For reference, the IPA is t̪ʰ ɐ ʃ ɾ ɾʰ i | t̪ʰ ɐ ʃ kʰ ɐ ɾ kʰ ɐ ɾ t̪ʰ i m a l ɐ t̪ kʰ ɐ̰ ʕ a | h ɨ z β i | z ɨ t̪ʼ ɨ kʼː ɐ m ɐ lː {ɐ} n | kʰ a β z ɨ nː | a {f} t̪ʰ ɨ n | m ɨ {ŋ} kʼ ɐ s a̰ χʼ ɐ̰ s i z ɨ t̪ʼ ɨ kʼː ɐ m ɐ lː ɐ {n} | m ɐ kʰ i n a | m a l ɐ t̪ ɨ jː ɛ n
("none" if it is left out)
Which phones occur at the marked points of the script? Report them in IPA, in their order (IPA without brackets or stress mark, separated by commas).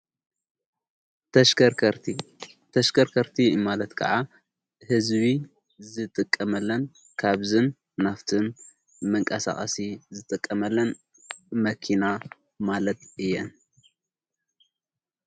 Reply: ɐ, f, ŋ, n